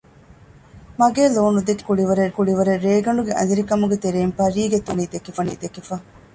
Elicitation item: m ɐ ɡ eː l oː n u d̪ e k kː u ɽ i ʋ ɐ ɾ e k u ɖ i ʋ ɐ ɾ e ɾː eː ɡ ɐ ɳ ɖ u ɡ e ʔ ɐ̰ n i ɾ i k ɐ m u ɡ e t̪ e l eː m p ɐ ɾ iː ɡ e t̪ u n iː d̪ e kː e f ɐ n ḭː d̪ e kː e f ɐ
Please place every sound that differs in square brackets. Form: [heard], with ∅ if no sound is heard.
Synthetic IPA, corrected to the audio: m ɐ ɡ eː l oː n u d̪ e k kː u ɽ i ʋ ɐ ɾ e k u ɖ i ʋ ɐ ɾ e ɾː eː ɡ ɐ ɳ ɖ u ɡ e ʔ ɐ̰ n i ɾ i k ɐ m u ɡ e t̪ e [ɾ] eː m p ɐ ɾ iː ɡ e t̪ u n iː d̪ e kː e f ɐ n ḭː d̪ e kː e f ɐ